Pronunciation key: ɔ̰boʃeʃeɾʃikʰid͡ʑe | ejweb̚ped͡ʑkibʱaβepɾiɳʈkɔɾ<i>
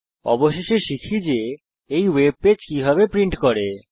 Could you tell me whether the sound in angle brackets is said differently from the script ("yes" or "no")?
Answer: yes